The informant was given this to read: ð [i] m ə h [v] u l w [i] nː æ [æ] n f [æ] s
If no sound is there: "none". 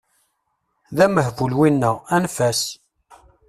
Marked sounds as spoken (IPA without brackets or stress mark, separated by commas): æ, v, i, æ, æ